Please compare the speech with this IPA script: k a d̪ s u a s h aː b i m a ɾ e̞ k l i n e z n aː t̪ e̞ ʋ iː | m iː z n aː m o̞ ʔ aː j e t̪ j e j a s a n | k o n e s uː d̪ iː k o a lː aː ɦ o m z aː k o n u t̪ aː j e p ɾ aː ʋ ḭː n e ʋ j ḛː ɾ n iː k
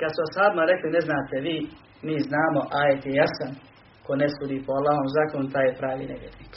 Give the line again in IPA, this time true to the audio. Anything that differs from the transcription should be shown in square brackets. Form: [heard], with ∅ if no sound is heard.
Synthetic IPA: k a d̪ s u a s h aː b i m a ɾ e̞ k l i n e z n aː t̪ e̞ ʋ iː | m iː z n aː m o̞ ʔ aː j e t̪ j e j a s a n | k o n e s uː d̪ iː [p] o a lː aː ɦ o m z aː k o n u t̪ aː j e p ɾ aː ʋ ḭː n e ʋ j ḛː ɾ n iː k